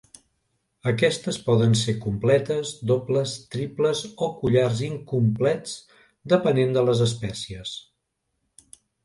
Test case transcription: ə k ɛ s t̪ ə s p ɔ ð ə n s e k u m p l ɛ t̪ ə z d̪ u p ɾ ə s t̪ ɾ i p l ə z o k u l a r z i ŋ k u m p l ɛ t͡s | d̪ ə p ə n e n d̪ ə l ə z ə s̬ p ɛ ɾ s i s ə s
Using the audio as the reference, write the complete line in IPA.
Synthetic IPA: ə k ɛ s t̪ ə s p ɔ ð ə n s e k u m p l ɛ t̪ ə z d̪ o p l ə s t̪ ɾ i p l ə z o k u ʎ a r z i ŋ k u m p l ɛ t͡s | d̪ ə p ə n e n d̪ ə l ə z ə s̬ p ɛ s i ə s